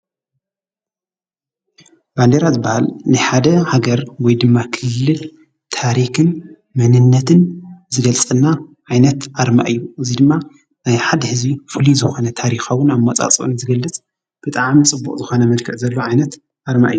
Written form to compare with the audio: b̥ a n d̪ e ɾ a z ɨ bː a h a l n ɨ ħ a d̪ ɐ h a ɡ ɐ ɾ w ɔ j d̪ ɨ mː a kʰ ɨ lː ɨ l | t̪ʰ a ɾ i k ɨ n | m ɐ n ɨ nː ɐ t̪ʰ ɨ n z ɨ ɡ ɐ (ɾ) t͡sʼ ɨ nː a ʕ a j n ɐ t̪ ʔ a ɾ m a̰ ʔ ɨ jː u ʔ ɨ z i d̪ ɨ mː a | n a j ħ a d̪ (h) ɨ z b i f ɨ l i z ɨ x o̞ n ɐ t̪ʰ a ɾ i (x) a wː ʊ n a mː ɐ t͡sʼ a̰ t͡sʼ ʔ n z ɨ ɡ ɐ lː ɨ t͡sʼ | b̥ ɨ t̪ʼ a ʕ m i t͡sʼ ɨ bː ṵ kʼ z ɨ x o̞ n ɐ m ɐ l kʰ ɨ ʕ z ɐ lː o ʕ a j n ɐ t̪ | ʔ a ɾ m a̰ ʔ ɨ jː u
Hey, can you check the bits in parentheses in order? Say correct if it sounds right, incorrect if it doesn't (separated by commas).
incorrect, correct, correct